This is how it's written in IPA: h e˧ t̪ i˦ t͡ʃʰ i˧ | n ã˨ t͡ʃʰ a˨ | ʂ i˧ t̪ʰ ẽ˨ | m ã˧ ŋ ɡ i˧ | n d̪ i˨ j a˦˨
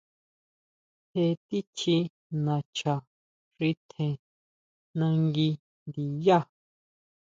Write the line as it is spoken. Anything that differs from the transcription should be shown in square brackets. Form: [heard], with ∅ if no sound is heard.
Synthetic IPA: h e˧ t̪ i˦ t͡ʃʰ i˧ | n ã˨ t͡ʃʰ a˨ | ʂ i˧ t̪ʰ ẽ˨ | [n] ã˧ ŋ ɡ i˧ | n d̪ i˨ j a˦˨